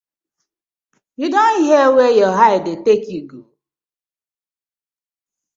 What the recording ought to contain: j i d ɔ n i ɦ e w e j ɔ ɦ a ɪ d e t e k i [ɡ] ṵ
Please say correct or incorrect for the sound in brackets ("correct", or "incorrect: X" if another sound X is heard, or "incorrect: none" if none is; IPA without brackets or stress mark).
correct